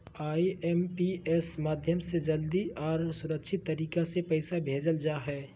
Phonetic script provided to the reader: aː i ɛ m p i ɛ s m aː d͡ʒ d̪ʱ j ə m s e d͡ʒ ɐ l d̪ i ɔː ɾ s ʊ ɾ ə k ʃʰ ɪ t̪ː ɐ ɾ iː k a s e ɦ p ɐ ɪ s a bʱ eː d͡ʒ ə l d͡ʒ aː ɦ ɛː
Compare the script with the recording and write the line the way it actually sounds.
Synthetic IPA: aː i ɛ m p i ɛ s m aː d̪ʱ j ə m s e d͡ʒ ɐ l d̪ i ɔː ɾ s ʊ ɾ ə k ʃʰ ɪ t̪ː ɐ ɾ iː k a s e p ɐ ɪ s a bʱ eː d͡ʒ ə l d͡ʒ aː ɦ ɛː